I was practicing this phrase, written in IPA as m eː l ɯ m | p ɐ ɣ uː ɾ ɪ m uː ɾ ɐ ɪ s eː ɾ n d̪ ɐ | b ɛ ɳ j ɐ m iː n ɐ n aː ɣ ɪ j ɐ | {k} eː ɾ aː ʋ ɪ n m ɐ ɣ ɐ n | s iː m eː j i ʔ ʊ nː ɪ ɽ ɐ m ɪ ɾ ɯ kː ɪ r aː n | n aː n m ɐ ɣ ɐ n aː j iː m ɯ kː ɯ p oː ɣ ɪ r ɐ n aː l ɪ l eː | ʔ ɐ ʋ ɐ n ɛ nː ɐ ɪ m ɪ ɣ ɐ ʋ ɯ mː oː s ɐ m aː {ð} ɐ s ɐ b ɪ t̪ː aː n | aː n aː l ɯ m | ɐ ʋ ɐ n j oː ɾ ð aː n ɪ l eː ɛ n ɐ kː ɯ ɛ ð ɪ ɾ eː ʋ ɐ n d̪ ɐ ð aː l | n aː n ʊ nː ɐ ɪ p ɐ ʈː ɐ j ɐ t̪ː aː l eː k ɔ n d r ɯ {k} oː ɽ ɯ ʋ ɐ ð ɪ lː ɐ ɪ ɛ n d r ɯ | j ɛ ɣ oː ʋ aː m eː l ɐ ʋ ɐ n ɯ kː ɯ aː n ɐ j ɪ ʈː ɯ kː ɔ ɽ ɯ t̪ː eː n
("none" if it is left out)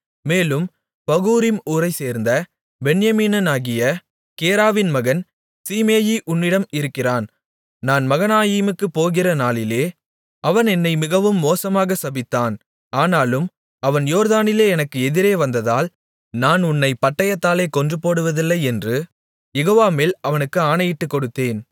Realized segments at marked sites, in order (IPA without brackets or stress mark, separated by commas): k, ɣ, p